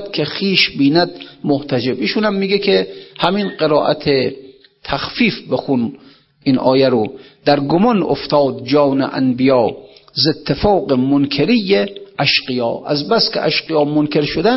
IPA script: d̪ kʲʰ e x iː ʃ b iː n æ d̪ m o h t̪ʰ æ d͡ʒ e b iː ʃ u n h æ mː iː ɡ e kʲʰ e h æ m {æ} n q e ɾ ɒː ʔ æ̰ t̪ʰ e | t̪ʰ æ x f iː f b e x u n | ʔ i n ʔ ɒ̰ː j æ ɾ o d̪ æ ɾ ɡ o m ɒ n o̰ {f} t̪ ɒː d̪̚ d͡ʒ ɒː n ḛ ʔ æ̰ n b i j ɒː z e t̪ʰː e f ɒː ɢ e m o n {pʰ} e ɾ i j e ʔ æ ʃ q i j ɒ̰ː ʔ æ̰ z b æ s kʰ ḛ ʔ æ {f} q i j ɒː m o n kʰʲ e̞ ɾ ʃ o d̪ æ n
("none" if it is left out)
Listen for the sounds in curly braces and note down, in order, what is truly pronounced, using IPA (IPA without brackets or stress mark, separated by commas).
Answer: i, f, kʰ, ʃ